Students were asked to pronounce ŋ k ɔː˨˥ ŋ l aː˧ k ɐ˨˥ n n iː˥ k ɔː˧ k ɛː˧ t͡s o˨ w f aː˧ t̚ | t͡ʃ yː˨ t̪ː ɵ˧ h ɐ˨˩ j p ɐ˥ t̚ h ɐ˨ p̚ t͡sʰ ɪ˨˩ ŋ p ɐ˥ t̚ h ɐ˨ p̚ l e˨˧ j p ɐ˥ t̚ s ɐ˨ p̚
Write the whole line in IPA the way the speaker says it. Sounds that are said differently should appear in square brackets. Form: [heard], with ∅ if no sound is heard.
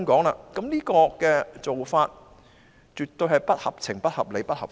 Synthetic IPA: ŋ k ɔː˨˥ ŋ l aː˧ k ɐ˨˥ [m] n iː˥ k ɔː˧ k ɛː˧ t͡s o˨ w f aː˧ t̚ | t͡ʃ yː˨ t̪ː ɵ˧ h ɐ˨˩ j p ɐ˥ t̚ h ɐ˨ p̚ t͡sʰ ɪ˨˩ ŋ p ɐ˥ t̚ h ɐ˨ p̚ l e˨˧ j p ɐ˥ t̚ [h] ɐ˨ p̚